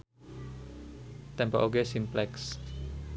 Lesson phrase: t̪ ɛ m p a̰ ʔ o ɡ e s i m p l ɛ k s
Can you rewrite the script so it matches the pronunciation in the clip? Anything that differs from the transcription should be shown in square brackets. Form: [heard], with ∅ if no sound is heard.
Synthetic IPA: t̪ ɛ m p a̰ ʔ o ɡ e s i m p l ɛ k s